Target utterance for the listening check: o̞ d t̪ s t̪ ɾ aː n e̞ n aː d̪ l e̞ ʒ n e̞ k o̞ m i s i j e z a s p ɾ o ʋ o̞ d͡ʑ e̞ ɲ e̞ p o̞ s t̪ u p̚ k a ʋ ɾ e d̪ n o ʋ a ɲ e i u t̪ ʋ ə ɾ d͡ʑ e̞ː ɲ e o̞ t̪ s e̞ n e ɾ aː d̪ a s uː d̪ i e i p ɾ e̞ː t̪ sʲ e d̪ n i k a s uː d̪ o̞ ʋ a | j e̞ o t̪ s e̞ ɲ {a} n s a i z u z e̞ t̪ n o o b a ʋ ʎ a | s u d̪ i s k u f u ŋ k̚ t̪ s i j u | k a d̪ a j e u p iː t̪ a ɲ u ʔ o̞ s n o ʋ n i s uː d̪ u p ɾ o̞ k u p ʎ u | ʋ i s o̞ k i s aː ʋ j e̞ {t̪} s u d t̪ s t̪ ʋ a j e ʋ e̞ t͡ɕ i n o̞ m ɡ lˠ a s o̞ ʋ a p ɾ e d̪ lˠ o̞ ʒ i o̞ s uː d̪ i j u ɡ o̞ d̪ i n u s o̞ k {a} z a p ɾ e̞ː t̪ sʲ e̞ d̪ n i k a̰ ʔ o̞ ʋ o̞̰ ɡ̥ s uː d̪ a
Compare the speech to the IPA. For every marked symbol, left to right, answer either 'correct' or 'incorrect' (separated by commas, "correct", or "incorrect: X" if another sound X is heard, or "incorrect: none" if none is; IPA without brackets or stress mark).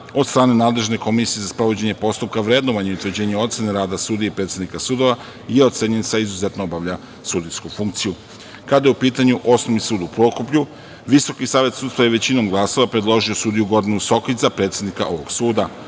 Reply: incorrect: e, correct, incorrect: i